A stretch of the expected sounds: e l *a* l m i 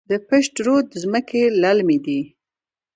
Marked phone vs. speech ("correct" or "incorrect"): correct